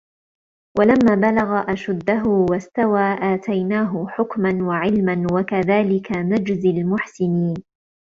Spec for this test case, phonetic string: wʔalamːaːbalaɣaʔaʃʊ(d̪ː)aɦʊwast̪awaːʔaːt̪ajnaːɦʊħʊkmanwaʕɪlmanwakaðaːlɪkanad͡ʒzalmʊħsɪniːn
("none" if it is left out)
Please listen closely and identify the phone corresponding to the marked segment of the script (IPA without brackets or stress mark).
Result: d̪ː